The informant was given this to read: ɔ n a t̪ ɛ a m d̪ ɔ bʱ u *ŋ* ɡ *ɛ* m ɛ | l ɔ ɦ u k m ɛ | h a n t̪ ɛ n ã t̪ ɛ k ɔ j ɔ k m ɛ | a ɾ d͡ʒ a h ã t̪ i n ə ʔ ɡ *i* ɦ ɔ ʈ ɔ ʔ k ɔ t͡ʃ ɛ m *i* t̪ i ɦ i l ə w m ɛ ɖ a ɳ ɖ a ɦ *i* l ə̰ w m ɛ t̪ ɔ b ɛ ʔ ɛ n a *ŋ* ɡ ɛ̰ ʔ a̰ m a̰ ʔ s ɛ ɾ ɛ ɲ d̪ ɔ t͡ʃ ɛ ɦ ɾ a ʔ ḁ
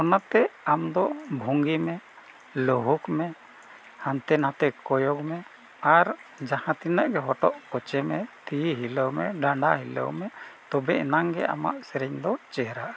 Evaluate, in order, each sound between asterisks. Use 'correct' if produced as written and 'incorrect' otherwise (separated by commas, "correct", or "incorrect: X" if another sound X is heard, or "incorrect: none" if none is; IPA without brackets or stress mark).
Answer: correct, incorrect: i, incorrect: ɛ, incorrect: ɛ, correct, correct